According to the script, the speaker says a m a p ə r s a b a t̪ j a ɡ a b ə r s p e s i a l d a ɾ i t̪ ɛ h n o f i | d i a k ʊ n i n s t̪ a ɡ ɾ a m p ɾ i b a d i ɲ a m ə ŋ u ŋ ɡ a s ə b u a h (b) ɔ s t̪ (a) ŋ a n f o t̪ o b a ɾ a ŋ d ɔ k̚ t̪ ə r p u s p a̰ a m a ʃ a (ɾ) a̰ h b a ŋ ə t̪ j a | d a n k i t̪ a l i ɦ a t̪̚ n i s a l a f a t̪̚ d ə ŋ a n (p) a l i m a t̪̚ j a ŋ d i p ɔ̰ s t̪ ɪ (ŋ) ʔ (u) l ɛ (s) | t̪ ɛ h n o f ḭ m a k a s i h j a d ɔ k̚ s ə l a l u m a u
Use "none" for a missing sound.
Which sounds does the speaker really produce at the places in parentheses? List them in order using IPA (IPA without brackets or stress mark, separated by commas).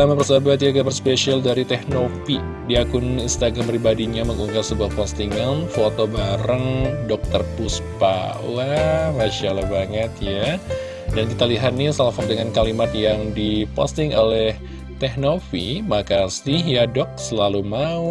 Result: p, i, l, k, ŋ, o, h